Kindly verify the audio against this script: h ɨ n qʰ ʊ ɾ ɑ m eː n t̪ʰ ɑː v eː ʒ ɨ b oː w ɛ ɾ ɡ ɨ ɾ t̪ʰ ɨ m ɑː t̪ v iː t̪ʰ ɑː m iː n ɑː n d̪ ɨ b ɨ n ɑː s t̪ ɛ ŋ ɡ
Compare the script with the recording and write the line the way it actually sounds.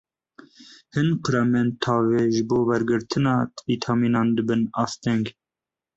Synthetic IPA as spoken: h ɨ n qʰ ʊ ɾ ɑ m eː n t̪ʰ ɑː v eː ʒ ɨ b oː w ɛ ɾ ɡ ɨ ɾ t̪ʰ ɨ n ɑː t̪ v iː t̪ʰ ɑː m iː n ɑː n d̪ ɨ b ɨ n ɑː s t̪ ɛ ŋ ɡ